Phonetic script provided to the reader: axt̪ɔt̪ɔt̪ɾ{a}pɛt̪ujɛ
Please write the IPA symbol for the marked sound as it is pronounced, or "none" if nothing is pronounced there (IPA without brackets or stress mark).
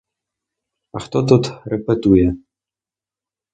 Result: ɛ